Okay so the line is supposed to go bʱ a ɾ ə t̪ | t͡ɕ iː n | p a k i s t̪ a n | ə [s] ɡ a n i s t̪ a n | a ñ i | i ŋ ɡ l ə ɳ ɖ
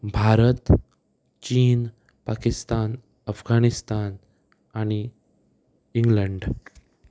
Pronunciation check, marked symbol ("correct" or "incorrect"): incorrect